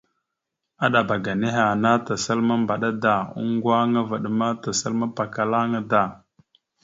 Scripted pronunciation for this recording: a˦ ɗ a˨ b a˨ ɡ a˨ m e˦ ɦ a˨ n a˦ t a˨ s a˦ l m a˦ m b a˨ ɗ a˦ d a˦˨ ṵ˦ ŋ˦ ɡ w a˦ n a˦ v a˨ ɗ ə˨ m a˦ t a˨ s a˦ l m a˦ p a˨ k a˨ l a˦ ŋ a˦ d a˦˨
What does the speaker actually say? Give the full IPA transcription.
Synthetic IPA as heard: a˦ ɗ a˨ b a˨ ɡ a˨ n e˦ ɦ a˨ n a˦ t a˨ s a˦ l m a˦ m b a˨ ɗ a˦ d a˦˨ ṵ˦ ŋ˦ ɡ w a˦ ŋ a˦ v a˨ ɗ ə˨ m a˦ t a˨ s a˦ l m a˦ p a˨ k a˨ l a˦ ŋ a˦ d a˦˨